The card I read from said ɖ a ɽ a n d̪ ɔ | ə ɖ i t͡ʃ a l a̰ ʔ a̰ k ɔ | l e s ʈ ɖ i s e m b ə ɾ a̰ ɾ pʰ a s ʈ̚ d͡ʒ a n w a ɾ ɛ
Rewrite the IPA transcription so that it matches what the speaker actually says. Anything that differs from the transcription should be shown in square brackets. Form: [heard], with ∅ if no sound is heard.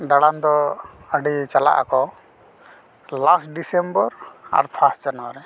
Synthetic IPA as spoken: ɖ a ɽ a n d̪ ɔ | ə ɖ i t͡ʃ a l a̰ ʔ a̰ k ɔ | l [a] s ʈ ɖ i s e m b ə ɾ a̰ ɾ pʰ a s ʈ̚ d͡ʒ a n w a ɾ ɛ